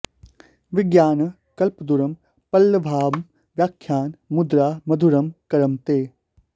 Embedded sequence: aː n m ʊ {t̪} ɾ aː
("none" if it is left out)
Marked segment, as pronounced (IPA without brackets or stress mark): d̪